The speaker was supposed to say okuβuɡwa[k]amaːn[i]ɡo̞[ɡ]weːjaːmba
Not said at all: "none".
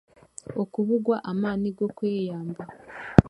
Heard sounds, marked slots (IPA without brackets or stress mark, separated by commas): ʔ, i, k